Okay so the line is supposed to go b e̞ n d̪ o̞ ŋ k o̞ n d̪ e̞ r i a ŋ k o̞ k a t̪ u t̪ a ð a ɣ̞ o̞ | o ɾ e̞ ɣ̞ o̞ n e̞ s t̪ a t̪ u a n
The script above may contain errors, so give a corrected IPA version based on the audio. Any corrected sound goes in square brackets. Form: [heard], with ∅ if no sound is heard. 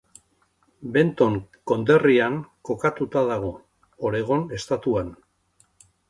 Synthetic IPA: b e̞ n [t̪] o̞ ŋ k o̞ n d̪ e̞ r i a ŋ k o̞ k a t̪ u t̪ a ð a ɣ̞ o̞ | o ɾ e̞ ɣ̞ o̞ n e̞ s t̪ a t̪ u a n